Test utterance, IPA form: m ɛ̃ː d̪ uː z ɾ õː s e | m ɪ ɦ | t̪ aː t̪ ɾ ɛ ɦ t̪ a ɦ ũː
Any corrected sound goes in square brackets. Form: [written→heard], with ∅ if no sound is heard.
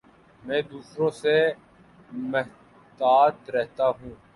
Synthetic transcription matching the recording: m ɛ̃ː d̪ uː [z→s] ɾ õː s e | m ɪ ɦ | t̪ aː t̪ ɾ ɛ ɦ t̪ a ɦ ũː

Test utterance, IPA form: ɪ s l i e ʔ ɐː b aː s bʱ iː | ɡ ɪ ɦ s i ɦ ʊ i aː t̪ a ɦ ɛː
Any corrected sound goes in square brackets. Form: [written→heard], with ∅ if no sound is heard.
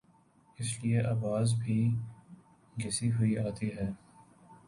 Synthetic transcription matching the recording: ɪ s l i e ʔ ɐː b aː [s→z] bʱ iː | ɡ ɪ [ɦ→∅] s i ɦ ʊ i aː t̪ [a→i] ɦ ɛː

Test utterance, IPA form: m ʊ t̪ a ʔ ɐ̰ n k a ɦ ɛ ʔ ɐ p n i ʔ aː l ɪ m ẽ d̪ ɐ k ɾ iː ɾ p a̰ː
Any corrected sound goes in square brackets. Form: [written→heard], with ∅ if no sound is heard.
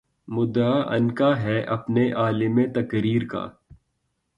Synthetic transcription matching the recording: m ʊ [t̪→d̪] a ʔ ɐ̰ n k a ɦ ɛ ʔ ɐ p n [i→e] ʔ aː l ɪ m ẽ [d̪→t̪] ɐ k ɾ iː ɾ [p→k] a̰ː

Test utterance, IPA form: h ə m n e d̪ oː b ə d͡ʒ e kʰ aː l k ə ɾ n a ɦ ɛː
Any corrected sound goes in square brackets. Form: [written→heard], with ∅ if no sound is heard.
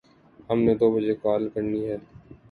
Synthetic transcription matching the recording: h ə m n e d̪ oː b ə d͡ʒ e [kʰ→k] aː l k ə ɾ n [a→i] ɦ ɛː

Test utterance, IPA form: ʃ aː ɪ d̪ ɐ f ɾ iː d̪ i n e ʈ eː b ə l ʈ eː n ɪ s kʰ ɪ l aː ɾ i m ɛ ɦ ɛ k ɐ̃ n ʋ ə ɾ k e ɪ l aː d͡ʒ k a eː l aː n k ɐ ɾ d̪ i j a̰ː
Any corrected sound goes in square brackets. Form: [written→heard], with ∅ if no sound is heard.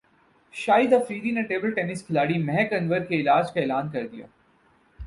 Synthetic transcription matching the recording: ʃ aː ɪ d̪ ɐ f ɾ iː d̪ i n e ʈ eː b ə l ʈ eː n ɪ s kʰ ɪ l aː [ɾ→ɽ] i m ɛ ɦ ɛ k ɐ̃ n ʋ ə ɾ k e ɪ l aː d͡ʒ k a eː l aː n k ɐ ɾ d̪ i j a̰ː

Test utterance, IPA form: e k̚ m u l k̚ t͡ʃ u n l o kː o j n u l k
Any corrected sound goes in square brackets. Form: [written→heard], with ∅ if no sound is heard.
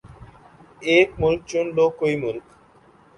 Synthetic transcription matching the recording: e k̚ m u l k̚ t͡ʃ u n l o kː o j [n→m] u l k

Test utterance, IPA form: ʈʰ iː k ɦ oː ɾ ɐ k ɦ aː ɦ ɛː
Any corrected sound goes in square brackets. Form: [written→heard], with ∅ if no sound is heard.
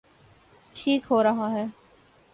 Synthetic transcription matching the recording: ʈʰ iː k ɦ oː ɾ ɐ [k→∅] ɦ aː ɦ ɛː

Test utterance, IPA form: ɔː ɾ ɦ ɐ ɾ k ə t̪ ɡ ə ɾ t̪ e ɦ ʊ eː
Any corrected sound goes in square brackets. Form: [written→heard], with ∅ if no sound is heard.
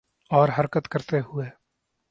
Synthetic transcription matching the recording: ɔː ɾ ɦ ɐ ɾ k ə t̪ [ɡ→k] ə ɾ t̪ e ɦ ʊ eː

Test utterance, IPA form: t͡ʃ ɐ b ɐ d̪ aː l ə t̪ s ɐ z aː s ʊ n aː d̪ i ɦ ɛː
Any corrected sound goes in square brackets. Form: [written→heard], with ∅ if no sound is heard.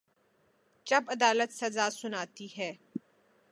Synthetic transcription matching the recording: t͡ʃ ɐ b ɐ d̪ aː l ə t̪ s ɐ z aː s ʊ n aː [d̪→t̪] i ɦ ɛː

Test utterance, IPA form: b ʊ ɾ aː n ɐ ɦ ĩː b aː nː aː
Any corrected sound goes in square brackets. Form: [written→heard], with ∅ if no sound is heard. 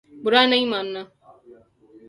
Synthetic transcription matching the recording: b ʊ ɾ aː n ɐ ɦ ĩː [b→m] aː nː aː

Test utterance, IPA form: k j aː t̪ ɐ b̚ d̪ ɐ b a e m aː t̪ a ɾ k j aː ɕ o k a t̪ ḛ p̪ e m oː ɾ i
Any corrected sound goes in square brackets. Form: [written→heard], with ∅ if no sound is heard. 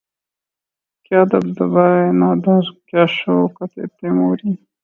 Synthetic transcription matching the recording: k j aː [t̪→d̪] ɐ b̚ d̪ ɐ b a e [m→n] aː [t̪→d̪] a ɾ k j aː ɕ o k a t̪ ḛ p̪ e m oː ɾ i

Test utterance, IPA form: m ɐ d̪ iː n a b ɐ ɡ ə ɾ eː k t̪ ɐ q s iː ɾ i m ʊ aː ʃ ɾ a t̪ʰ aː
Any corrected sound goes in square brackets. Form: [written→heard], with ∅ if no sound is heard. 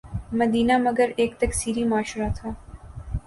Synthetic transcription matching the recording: m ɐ d̪ iː n a [b→m] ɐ ɡ ə ɾ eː k t̪ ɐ [q→k] s iː ɾ i m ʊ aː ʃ ɾ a t̪ʰ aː

